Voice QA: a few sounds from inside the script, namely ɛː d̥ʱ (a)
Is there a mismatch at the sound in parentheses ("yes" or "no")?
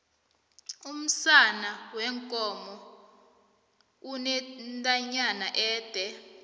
yes